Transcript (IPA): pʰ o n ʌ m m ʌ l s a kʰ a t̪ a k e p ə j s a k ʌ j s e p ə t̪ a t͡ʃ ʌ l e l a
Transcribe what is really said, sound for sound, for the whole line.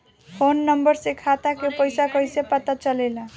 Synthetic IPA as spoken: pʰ o nː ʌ m b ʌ ɾ s e kʰ a t̪ a k e p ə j s a k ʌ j s e p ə t̪ a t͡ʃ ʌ l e l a